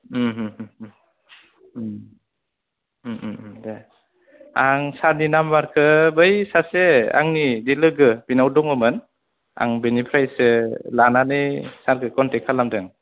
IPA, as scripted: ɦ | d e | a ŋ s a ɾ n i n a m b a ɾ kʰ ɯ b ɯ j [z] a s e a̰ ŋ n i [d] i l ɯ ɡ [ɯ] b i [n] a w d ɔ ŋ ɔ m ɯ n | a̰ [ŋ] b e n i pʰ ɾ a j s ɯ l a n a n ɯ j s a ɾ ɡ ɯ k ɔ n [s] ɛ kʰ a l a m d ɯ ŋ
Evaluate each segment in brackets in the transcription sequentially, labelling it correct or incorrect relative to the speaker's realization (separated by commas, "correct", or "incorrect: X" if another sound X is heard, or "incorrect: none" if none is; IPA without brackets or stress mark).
incorrect: s, correct, correct, correct, correct, incorrect: t